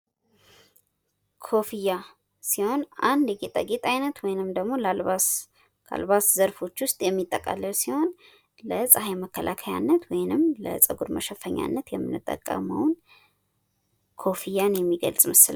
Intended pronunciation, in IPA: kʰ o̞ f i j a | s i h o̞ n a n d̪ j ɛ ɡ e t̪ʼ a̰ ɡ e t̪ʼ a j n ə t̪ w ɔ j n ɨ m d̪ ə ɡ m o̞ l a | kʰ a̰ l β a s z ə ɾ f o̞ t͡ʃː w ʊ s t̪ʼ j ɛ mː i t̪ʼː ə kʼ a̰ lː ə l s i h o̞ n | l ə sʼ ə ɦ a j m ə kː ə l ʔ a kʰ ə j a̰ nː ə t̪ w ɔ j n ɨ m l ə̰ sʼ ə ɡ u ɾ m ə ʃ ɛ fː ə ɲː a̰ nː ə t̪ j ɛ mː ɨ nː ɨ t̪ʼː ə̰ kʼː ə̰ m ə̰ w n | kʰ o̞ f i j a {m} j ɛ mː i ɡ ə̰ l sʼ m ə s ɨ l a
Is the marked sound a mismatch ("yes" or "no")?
yes